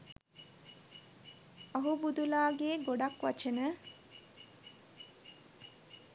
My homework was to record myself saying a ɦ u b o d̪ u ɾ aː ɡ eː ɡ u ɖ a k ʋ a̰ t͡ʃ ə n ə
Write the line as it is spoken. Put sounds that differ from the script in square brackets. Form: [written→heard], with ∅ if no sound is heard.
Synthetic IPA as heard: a ɦ u b [o→u] d̪ u [ɾ→l] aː ɡ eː ɡ [u→o] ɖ a k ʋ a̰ t͡ʃ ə n ə